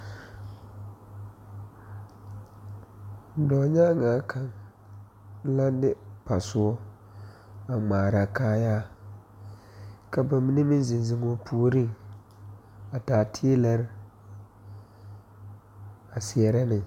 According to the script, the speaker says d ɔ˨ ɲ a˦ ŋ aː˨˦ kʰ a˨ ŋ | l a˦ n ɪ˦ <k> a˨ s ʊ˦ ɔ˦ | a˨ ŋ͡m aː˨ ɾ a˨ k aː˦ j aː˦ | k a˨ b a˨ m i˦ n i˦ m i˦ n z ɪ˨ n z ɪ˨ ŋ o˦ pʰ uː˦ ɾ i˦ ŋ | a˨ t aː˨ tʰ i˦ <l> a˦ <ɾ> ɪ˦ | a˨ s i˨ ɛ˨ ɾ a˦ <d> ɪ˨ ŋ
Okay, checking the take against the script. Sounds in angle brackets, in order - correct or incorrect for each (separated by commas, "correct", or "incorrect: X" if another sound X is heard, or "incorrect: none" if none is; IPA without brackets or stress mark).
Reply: incorrect: p, correct, correct, incorrect: n